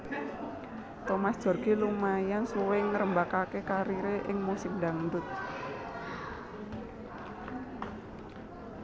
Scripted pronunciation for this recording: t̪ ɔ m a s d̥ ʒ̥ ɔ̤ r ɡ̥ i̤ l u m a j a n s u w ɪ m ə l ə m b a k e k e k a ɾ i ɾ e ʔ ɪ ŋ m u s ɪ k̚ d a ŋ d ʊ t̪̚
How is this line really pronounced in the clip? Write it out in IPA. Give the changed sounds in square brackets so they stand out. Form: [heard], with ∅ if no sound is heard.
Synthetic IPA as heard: t̪ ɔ m a s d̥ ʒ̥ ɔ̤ r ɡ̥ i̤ l u m a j a n s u w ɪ [ŋ] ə [ɾ] ə m b a k [a] k e k a ɾ i ɾ e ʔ ɪ ŋ m u s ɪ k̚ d a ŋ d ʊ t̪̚